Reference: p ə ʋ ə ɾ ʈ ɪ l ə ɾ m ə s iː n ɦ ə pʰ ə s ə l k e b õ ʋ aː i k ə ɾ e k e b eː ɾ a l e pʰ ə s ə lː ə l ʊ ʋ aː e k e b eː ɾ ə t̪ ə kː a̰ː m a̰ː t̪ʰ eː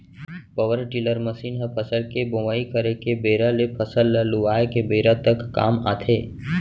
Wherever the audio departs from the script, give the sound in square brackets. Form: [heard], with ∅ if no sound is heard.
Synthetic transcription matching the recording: p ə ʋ ə ɾ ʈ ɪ l ə ɾ m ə s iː n ɦ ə pʰ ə s ə l k e b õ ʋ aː i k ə ɾ e k e b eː ɾ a l e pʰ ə s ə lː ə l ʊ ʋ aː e k e b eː ɾ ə t̪ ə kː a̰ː m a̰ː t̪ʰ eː